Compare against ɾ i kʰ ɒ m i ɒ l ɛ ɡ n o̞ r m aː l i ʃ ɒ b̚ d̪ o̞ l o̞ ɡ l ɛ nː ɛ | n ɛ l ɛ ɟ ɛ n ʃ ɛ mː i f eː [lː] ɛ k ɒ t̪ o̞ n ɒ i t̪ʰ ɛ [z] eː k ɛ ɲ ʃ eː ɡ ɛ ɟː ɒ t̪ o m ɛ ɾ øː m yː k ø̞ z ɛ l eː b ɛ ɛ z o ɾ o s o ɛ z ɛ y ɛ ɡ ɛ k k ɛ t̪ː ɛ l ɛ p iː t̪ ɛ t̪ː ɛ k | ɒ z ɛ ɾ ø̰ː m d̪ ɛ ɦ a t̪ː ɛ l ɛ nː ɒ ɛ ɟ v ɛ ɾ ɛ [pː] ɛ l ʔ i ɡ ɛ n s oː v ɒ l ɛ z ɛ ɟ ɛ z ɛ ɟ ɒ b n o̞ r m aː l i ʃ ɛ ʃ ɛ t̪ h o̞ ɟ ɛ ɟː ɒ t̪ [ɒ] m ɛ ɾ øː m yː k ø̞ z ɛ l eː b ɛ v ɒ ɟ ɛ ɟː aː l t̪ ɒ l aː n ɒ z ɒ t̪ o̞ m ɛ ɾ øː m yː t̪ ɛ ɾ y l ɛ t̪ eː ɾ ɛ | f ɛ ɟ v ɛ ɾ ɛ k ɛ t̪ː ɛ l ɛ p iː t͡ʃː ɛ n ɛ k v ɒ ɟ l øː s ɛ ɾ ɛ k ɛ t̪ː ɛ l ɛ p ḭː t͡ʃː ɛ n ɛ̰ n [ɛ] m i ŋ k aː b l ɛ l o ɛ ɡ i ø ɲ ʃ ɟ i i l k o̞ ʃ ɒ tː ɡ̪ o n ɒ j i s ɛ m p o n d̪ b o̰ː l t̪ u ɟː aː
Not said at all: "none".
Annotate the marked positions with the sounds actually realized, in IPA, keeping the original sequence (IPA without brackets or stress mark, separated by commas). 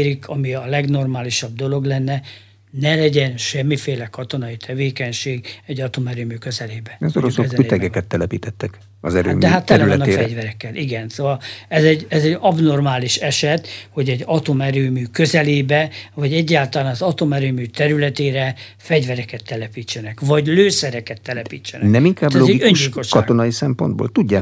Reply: l, v, kː, o, ɛ